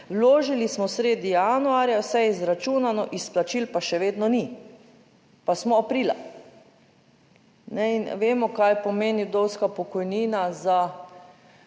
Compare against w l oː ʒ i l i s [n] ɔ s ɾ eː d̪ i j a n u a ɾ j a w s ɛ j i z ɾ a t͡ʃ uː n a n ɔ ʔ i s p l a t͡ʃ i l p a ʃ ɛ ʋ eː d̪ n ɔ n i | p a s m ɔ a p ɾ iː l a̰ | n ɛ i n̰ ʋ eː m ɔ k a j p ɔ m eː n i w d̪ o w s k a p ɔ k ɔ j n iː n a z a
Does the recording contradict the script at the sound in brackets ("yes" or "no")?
yes